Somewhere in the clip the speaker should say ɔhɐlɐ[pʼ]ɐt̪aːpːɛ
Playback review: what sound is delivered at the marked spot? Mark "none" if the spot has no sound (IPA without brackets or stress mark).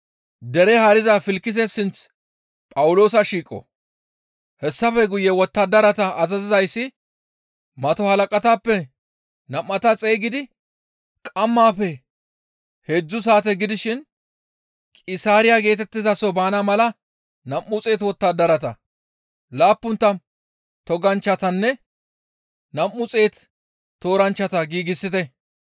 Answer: kʼ